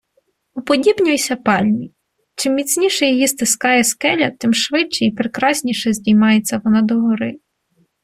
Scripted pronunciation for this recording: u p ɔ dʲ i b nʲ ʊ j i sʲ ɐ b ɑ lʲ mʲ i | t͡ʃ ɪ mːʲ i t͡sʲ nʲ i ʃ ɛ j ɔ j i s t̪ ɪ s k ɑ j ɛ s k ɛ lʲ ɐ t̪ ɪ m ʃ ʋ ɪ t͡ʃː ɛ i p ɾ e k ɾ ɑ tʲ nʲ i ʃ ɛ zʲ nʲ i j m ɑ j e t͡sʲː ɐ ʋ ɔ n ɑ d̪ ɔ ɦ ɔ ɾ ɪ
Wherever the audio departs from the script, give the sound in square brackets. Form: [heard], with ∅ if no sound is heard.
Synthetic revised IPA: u p ɔ dʲ i b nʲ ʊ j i sʲ ɐ [p] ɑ lʲ mʲ i | t͡ʃ ɪ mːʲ i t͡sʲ nʲ i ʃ ɛ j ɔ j i s t̪ ɪ s k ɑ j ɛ s k ɛ lʲ ɐ t̪ ɪ m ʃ ʋ ɪ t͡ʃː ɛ i p ɾ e k ɾ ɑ [sʲ] nʲ i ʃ ɛ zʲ [dʲ] i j m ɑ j e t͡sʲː ɐ ʋ ɔ n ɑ d̪ ɔ ɦ ɔ ɾ ɪ